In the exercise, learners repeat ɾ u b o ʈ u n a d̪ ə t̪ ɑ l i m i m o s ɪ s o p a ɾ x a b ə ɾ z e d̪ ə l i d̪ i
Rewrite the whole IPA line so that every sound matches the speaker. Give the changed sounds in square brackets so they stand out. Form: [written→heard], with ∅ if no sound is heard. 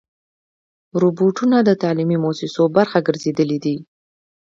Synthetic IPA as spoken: ɾ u b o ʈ u n a d̪ ə t̪ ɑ l i m i m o s ɪ s o [p→b] a ɾ x a [b→ɡ] ə ɾ z e d̪ ə l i d̪ i